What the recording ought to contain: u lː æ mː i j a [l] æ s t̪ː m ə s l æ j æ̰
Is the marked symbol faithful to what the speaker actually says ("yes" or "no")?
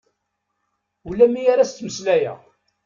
no